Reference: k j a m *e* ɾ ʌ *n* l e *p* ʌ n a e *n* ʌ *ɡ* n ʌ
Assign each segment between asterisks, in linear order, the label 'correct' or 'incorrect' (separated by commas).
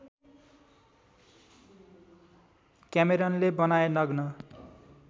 correct, correct, incorrect, correct, correct